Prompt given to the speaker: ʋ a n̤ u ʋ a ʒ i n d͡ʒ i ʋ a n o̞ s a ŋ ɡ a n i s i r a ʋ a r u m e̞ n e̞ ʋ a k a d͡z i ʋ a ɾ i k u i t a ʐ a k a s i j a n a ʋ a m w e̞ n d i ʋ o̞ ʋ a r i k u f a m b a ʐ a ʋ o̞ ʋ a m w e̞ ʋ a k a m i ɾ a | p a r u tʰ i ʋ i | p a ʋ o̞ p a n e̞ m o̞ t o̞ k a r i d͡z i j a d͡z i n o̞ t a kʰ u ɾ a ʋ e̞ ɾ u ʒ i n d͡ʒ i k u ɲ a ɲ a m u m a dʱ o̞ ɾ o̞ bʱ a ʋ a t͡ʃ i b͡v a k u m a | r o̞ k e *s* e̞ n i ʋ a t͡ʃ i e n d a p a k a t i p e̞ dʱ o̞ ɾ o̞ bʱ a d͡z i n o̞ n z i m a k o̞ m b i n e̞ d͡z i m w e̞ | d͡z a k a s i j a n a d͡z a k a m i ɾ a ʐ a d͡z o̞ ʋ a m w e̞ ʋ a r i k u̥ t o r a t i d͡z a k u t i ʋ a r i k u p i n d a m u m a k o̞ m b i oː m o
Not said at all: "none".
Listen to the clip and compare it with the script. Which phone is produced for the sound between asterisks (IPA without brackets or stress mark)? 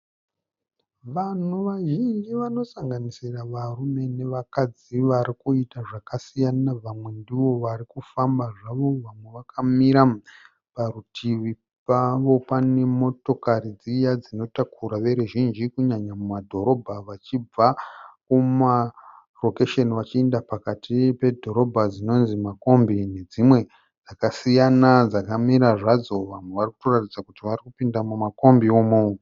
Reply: ʃ